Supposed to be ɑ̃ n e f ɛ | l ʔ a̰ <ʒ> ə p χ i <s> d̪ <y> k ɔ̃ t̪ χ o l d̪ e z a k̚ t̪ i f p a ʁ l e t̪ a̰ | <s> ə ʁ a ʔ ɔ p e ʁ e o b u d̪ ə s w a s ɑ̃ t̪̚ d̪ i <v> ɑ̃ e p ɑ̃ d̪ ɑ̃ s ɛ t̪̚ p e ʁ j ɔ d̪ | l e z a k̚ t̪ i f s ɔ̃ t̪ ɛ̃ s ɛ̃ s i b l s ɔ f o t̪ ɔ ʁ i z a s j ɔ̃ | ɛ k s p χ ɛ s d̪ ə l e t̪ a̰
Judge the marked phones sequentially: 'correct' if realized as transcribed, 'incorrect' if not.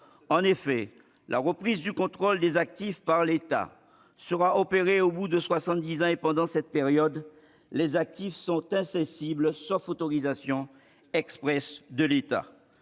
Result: incorrect, incorrect, correct, correct, incorrect

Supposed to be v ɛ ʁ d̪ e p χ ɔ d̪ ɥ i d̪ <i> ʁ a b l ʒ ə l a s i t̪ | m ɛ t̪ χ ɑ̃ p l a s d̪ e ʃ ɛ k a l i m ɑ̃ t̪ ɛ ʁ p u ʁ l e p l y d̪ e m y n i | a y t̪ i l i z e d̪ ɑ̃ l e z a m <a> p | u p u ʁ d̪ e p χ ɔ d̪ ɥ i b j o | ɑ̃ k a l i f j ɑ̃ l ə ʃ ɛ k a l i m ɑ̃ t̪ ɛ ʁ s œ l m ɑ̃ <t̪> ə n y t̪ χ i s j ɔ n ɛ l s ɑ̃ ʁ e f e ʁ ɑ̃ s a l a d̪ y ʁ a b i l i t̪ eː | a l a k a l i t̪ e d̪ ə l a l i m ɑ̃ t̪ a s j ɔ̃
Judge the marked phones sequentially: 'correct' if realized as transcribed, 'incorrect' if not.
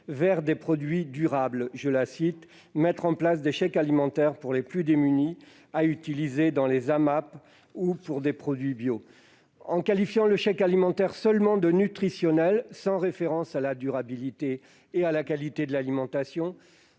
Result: incorrect, correct, incorrect

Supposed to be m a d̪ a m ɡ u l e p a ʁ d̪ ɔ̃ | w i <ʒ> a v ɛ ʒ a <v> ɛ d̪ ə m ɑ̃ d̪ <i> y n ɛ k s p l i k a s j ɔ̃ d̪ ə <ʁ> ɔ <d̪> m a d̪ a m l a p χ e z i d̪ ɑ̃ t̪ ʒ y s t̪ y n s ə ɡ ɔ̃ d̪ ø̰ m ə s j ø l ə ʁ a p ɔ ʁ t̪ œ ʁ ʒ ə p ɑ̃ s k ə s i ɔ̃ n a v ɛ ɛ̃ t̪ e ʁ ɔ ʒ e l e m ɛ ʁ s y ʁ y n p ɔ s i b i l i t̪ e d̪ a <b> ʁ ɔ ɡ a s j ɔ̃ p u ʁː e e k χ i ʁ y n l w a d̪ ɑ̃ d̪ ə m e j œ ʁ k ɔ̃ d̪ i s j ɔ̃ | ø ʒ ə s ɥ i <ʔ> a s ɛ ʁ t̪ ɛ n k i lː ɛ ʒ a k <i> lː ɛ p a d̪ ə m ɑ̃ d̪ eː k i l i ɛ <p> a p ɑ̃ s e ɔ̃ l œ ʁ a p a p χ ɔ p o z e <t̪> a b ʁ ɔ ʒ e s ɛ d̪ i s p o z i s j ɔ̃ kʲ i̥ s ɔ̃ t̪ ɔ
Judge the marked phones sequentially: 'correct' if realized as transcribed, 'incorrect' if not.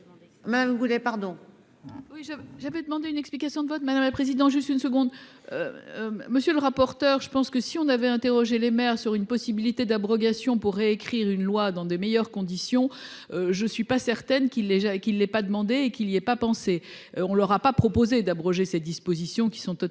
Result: correct, correct, incorrect, incorrect, incorrect, correct, incorrect, correct, correct, incorrect

